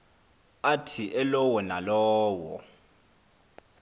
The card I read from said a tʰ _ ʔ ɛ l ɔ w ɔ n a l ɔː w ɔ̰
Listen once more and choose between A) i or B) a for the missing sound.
A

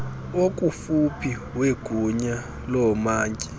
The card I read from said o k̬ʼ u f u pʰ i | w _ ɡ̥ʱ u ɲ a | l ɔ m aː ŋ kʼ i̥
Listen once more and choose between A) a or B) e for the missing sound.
B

